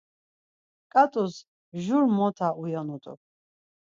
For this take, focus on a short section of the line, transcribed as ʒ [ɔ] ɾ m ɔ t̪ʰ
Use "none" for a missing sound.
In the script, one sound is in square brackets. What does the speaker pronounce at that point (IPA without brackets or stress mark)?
u